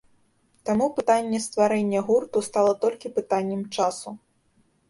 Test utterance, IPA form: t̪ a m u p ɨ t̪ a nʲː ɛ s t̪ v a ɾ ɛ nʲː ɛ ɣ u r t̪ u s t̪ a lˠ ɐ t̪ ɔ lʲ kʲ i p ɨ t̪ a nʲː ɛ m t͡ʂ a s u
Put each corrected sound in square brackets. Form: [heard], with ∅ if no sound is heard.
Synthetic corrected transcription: t̪ a m u p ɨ t̪ a nʲː ɛ s t̪ v a ɾ ɛ nʲː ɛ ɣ u r t̪ u s t̪ a lˠ ɐ t̪ ɔ lʲ kʲ i p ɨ t̪ a nʲː ɛ m t͡ʂ a s u

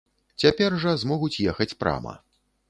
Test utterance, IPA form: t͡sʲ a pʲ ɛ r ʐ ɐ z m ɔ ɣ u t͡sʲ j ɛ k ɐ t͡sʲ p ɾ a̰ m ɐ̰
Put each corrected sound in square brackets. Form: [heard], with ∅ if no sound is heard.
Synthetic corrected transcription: t͡sʲ a pʲ ɛ r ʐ ɐ z m ɔ ɣ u t͡sʲ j ɛ [x] ɐ t͡sʲ p ɾ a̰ m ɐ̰

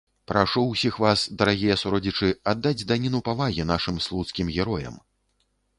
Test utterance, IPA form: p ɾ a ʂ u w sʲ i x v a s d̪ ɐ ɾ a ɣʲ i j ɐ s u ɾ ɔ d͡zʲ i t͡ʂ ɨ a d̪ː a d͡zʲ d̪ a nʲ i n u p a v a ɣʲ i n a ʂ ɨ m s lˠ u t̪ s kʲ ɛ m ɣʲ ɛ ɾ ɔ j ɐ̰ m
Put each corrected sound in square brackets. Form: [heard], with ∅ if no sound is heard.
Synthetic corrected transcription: p ɾ a ʂ u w sʲ i x v a s d̪ ɐ ɾ a ɣʲ i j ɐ s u ɾ ɔ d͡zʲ i t͡ʂ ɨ a d̪ː a d͡zʲ d̪ a nʲ i n u p a v a ɣʲ i n a ʂ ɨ m s lˠ u t̪ s kʲ [i] m ɣʲ ɛ ɾ ɔ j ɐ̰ m

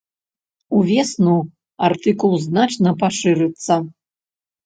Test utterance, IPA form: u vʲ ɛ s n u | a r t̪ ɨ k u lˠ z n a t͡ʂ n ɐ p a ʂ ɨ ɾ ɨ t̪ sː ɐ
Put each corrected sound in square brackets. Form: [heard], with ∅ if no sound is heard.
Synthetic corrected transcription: u vʲ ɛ s n u | a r t̪ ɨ k u lˠ z n a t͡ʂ n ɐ p a ʂ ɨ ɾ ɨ t̪ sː ɐ

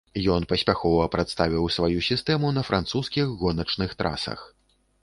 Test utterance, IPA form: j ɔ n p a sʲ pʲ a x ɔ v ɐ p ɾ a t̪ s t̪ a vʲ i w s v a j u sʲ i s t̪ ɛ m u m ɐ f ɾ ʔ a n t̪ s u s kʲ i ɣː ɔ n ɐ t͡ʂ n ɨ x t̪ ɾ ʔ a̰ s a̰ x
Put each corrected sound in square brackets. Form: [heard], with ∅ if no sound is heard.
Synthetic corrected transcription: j ɔ n p [ɐ] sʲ pʲ a x ɔ v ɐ p ɾ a t̪ s t̪ a vʲ i w s v a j u sʲ i s t̪ ɛ m u [n] ɐ f ɾ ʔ a n t̪ s u s kʲ i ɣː ɔ n ɐ t͡ʂ n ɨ x t̪ ɾ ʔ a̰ s [ɐ̰] x

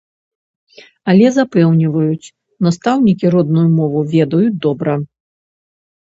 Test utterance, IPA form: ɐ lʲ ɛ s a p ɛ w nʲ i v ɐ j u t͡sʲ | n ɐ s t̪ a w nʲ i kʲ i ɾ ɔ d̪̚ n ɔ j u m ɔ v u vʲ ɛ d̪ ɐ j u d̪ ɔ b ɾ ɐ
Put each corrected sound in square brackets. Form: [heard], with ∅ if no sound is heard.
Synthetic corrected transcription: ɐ lʲ ɛ [z] a p ɛ w nʲ i v ɐ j u t͡sʲ | n [a] s t̪ a w nʲ i kʲ i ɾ ɔ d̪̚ n [u] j u m ɔ v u vʲ ɛ d̪ ɐ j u d̪ ɔ b ɾ ɐ

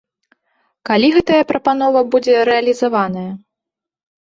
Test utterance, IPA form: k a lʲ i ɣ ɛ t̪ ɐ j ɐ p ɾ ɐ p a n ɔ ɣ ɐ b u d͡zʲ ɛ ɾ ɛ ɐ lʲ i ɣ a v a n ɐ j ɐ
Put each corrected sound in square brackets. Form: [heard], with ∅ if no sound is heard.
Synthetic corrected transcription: k a lʲ i ɣ ɛ t̪ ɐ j ɐ p ɾ ɐ p a n ɔ [v] ɐ b u d͡zʲ ɛ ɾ ɛ ɐ lʲ i [z] a v a n ɐ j ɐ

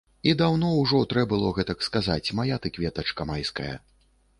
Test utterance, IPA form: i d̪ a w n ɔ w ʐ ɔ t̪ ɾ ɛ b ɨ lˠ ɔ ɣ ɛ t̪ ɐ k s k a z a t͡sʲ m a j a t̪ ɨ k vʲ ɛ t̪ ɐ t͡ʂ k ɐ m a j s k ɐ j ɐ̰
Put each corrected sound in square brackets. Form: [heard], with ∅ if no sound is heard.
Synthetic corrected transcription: i d̪ a w n ɔ w ʐ ɔ t̪ ɾ ɛ b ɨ lˠ ɔ ɣ ɛ t̪ ɐ k s k a z a t͡sʲ m a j a t̪ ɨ k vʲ ɛ t̪ ɐ t͡ʂ k ɐ m a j s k ɐ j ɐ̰

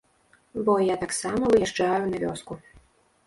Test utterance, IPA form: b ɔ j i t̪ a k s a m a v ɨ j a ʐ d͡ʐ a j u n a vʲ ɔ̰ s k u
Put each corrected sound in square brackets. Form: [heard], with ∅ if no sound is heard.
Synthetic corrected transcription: b ɔ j [a] t̪ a k s a m [ɐ] v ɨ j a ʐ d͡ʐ a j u n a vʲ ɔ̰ s k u

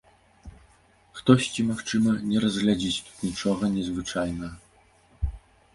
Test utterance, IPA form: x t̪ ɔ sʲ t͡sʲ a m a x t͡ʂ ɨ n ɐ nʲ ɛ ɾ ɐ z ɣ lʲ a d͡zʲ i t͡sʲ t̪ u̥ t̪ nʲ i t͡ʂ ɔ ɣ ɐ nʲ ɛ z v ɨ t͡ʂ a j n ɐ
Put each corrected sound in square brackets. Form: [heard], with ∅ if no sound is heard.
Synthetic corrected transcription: x t̪ ɔ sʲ t͡sʲ [i] m a x t͡ʂ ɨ [m] ɐ nʲ ɛ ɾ ɐ z ɣ lʲ a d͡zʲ i t͡sʲ t̪ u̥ t̪ nʲ i t͡ʂ ɔ ɣ ɐ nʲ ɛ z v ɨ t͡ʂ a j n ɐ

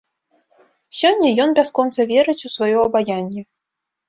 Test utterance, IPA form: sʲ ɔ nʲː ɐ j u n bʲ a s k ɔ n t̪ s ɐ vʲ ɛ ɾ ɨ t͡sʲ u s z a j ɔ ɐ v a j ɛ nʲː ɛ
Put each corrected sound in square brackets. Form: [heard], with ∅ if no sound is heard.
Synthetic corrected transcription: sʲ ɔ nʲː ɐ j [ɔ] n bʲ a s k ɔ n t̪ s ɐ vʲ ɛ ɾ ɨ t͡sʲ u s [v] a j ɔ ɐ [b] a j [a] nʲː ɛ

